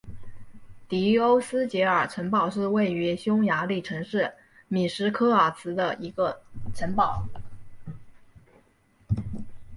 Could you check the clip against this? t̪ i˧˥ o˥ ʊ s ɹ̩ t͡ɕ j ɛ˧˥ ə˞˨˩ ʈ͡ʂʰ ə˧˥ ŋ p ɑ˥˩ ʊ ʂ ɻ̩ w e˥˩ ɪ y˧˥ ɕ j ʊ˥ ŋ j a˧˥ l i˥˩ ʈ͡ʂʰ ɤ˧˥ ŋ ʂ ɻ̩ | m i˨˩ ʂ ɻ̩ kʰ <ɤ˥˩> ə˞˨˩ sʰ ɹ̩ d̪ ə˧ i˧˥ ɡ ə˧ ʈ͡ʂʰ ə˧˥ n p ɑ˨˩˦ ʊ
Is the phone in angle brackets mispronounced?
yes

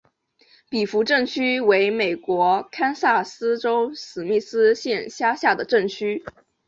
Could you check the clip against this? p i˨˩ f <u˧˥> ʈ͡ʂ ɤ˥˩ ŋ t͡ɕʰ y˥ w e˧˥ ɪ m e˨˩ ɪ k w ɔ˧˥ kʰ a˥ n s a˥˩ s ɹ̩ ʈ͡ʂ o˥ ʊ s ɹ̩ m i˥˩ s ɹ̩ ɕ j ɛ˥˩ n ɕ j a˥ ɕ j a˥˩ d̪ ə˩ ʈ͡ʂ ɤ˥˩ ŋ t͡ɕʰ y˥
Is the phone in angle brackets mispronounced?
no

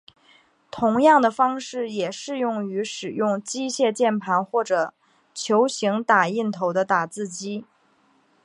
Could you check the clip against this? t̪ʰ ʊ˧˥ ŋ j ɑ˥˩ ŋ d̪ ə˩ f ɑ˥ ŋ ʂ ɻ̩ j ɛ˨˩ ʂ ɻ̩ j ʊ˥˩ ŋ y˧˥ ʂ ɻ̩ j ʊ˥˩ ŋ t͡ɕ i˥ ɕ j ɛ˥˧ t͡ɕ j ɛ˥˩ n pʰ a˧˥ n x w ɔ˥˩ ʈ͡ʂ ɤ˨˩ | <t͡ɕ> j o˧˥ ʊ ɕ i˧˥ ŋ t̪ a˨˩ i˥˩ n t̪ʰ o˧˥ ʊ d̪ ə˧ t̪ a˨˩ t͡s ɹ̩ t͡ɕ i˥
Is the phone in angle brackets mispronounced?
yes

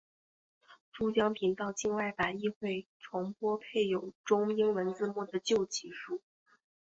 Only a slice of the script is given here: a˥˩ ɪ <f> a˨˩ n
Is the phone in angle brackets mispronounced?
no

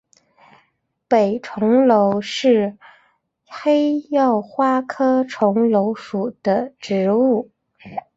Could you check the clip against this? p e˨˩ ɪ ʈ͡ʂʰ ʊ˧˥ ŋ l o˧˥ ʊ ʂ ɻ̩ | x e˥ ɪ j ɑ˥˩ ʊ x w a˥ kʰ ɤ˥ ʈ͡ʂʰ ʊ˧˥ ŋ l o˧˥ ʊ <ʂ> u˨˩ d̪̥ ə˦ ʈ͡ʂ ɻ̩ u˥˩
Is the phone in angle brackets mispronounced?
no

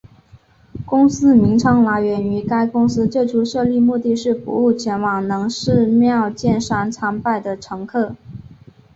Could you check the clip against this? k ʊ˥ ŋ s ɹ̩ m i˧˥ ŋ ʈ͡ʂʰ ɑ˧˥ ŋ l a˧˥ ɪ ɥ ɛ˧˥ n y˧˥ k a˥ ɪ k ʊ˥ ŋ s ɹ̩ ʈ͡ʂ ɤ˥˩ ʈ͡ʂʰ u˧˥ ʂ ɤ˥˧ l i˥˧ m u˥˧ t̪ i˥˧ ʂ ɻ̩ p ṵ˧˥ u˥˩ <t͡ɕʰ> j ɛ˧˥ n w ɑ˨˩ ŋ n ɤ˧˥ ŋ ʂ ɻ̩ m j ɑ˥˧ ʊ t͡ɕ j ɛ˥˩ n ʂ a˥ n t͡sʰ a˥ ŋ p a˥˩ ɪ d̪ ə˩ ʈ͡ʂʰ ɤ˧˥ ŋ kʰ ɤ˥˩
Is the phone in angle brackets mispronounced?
no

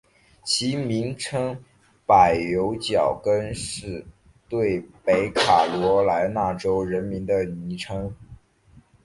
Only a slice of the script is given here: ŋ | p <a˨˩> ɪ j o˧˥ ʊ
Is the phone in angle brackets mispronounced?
no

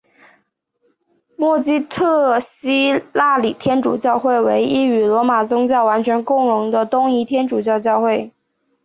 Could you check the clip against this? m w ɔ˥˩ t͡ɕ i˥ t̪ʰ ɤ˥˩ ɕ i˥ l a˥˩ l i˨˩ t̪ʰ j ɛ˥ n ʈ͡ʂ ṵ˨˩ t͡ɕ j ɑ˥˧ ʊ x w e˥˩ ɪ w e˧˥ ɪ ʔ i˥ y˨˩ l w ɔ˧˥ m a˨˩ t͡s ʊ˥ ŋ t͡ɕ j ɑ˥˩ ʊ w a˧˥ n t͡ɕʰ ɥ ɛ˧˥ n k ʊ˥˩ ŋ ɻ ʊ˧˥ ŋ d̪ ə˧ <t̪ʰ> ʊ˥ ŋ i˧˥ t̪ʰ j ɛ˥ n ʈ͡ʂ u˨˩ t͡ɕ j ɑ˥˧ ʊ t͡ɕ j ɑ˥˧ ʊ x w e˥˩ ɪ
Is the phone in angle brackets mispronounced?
yes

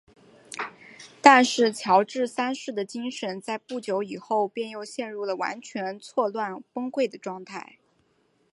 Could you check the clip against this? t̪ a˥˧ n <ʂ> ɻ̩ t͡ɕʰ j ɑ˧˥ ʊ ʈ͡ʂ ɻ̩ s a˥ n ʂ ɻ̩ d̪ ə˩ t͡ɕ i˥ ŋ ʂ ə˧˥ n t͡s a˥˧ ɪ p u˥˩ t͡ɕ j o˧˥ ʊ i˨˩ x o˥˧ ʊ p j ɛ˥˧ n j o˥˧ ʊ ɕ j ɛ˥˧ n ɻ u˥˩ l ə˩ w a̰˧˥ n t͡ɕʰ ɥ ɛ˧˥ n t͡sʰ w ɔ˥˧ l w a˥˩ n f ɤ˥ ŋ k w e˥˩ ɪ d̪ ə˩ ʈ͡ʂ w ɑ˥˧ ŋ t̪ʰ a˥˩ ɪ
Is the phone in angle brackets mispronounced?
no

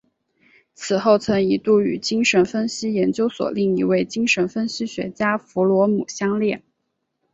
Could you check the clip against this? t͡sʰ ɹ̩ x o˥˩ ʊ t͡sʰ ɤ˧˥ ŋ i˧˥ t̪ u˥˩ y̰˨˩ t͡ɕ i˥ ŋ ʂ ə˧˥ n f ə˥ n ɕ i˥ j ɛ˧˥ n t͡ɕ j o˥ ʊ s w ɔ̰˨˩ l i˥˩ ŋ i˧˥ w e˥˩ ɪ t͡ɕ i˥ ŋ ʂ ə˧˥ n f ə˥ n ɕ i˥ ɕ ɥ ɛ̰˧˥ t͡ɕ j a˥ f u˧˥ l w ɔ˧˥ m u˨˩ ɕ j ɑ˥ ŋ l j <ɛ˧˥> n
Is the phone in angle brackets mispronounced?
yes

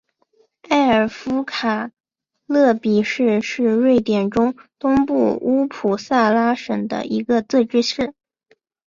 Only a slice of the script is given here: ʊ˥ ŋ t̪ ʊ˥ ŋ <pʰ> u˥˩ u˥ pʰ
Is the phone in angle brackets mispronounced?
yes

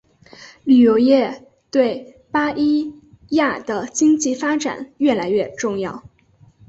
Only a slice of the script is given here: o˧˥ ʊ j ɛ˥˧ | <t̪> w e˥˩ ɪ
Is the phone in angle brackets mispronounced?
no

